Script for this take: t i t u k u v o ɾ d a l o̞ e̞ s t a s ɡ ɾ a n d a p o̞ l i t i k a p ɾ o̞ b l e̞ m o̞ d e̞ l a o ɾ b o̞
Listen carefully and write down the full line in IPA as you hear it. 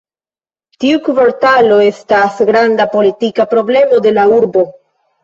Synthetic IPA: t i u k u v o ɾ t a l o̞ e̞ s t a s ɡ ɾ a n d a p o̞ l i t i k a p ɾ o̞ b l e̞ m o̞ d e̞ l a u ɾ b o̞